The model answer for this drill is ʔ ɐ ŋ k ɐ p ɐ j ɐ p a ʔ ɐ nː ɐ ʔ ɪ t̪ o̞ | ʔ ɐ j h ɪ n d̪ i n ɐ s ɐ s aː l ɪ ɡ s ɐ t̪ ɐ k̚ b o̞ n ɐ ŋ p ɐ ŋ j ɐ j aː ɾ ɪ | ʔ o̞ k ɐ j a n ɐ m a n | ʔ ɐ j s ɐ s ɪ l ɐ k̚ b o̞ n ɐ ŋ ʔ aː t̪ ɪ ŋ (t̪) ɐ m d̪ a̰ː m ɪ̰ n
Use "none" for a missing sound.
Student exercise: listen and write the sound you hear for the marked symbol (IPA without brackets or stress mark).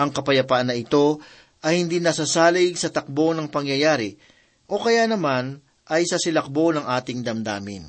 d̪